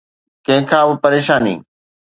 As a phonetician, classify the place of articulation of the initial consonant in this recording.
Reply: velar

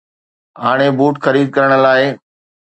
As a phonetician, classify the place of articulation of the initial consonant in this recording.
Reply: glottal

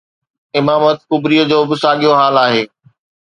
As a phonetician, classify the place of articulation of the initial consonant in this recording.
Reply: labial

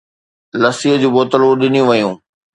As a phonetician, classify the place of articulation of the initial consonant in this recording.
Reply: alveolar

